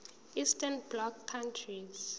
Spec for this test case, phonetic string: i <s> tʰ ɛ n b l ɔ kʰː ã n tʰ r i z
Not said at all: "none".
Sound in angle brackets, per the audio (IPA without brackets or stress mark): s